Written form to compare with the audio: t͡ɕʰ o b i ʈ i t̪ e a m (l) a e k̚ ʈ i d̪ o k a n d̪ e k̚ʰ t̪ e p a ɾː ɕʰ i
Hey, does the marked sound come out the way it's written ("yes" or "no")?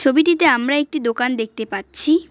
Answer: no